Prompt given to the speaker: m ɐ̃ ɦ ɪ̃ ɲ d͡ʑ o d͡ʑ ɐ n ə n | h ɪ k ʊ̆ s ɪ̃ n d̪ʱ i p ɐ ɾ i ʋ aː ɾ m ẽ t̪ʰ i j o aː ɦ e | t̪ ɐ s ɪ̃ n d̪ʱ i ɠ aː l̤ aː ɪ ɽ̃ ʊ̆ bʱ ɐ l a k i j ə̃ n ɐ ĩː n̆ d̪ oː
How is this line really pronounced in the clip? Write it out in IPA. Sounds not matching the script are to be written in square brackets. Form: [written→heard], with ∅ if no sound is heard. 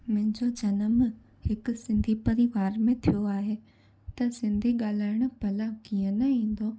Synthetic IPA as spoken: m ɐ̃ ɦ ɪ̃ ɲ d͡ʑ o d͡ʑ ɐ n ə [n→m] | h ɪ k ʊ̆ s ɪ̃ n d̪ʱ i p ɐ ɾ i ʋ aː ɾ m ẽ t̪ʰ i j o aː ɦ e | t̪ ɐ s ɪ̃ n d̪ʱ i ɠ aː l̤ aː ɪ ɽ̃ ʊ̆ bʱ ɐ l a k i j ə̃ n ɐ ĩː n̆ d̪ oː